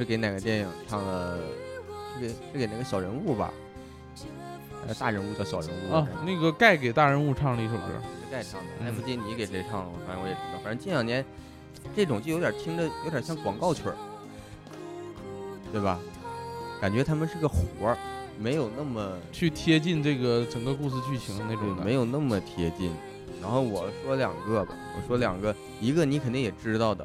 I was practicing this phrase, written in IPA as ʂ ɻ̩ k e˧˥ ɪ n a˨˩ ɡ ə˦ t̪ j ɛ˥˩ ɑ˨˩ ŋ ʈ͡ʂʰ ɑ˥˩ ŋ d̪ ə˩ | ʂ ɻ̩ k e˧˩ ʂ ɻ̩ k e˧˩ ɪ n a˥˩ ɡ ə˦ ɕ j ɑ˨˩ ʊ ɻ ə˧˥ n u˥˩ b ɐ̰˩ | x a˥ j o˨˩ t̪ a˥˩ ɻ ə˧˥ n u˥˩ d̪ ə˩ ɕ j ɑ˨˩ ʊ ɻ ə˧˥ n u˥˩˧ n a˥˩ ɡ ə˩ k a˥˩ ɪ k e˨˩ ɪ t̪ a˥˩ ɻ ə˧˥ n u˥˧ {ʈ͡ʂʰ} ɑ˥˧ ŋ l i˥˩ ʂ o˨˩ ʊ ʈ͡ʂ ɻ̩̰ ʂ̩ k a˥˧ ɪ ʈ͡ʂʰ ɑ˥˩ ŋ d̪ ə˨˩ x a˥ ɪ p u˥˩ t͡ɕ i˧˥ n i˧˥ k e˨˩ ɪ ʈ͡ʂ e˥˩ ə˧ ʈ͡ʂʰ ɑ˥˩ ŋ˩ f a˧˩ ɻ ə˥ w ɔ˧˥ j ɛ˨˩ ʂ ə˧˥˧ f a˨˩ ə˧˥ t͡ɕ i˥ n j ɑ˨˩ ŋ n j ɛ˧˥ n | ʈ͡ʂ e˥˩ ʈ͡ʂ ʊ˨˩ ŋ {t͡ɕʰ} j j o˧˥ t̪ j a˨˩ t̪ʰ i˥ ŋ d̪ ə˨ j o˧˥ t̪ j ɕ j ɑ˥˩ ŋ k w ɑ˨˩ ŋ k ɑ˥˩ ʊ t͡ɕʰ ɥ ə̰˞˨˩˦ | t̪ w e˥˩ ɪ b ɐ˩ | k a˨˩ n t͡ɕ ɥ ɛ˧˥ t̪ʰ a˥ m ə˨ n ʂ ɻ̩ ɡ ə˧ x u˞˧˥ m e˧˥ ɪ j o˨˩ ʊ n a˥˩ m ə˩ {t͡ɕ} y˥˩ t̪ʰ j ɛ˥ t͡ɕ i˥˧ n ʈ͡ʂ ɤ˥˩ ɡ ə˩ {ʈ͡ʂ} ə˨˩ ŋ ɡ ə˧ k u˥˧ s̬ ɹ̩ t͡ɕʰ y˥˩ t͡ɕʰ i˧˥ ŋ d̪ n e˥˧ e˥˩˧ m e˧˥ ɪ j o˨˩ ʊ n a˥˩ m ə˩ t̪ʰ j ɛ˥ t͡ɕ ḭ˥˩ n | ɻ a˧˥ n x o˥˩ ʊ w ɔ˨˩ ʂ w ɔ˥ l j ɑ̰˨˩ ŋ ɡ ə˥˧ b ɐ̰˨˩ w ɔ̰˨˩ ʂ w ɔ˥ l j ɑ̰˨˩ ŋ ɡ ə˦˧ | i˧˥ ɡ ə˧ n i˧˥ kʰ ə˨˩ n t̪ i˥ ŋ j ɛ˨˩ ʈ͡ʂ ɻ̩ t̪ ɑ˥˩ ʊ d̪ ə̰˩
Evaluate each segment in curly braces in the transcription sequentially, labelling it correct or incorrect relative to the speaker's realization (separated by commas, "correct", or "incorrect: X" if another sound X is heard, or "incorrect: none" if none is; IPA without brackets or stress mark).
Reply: correct, incorrect: t͡ɕ, incorrect: t͡ɕʰ, correct